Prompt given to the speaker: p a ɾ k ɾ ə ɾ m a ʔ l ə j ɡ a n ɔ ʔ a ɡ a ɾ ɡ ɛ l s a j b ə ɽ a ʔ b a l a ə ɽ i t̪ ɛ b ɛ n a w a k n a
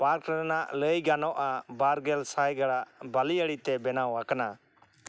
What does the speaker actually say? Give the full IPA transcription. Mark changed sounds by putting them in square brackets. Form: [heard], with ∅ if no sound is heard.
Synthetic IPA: p a ɾ k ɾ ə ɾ [n] a ʔ l ə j ɡ a n ɔ ʔ a [b] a ɾ ɡ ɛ l s a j [ɡ] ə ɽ a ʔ b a l [i] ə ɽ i t̪ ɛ b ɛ n a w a k n a

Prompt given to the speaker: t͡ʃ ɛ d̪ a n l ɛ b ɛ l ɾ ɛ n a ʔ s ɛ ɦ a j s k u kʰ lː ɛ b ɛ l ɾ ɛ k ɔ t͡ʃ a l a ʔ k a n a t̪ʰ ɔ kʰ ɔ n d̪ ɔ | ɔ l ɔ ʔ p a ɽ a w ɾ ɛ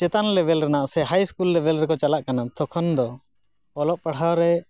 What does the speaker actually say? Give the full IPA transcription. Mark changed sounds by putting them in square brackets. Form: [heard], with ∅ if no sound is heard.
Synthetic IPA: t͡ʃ ɛ [t̪] a n l ɛ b ɛ l ɾ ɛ n a ʔ s ɛ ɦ a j s k u [∅] lː ɛ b ɛ l ɾ ɛ k ɔ t͡ʃ a l a ʔ k a n a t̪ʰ ɔ kʰ ɔ n d̪ ɔ | ɔ l ɔ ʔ p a ɽ a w ɾ ɛ

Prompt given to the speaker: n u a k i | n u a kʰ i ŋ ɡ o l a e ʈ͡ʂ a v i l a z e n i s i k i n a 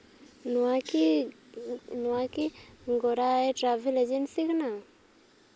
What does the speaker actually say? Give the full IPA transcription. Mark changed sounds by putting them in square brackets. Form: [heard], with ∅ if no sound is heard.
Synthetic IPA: n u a k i | n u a [k] i ŋ ɡ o [ɾ] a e ʈ͡ʂ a v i l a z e n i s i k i n a

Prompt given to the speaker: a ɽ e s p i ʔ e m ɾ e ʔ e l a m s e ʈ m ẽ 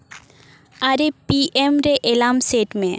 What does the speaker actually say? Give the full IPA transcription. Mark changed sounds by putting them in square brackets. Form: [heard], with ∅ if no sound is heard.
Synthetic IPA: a [ɾ] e [∅] p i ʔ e m ɾ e ʔ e l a m s e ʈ m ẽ

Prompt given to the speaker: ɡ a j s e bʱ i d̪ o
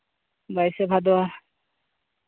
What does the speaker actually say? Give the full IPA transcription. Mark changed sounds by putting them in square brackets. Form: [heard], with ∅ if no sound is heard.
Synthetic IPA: [b] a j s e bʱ [a] d̪ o

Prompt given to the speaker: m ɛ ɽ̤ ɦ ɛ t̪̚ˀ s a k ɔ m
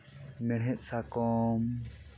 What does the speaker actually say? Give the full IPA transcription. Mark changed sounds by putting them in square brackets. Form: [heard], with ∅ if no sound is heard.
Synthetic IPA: m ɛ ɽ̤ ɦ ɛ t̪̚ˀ s a k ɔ m

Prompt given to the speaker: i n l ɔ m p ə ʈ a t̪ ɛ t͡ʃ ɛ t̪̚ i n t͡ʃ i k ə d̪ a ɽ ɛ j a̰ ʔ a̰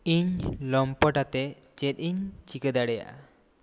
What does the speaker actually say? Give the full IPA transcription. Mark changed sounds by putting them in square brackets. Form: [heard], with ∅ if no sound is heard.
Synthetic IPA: i [ɲ] l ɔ m p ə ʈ a t̪ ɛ t͡ʃ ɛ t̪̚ i [ɲ] t͡ʃ i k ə d̪ a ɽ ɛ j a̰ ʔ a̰

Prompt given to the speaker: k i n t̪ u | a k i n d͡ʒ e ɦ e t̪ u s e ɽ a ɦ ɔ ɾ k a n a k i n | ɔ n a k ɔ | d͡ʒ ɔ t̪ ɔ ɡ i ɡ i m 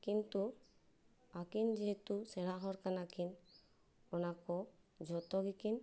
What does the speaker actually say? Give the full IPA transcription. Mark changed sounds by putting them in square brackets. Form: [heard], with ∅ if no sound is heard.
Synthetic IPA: k i n t̪ u | a k i n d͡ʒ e ɦ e t̪ u s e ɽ a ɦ ɔ ɾ k a n a k i n | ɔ n a k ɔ | d͡ʒ ɔ t̪ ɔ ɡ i [k] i [n]

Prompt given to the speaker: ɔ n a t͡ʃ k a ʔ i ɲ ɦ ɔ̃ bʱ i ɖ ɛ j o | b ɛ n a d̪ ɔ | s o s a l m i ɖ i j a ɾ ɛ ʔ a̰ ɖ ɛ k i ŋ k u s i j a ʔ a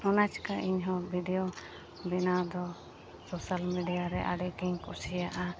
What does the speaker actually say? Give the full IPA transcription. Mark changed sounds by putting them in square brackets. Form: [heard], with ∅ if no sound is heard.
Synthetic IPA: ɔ n a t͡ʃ k a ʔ i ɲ ɦ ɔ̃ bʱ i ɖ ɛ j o | b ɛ n a d̪ ɔ | s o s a l m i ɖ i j a ɾ ɛ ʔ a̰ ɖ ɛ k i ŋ k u s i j a ʔ a

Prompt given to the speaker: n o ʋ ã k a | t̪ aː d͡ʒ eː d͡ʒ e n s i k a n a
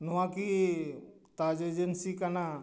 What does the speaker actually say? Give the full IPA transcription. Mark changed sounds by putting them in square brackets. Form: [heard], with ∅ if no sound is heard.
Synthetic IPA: n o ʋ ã k [i] | t̪ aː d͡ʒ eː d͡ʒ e n s i k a n a

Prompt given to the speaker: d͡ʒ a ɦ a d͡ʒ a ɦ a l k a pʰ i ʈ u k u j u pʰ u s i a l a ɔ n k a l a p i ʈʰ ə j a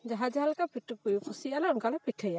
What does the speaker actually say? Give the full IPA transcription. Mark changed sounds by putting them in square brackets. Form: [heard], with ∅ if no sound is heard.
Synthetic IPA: d͡ʒ a ɦ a d͡ʒ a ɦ a l k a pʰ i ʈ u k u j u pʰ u s i a l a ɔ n k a l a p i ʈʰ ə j a

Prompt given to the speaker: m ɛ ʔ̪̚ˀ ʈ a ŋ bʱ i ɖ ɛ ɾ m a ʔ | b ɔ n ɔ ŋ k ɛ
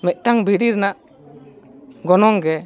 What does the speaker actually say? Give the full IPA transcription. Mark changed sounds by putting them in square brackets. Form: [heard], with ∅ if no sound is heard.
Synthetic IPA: m ɛ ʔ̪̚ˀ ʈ a ŋ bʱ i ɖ [i] ɾ [n] a ʔ | [ɡ] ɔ n ɔ ŋ [ɡ] ɛ

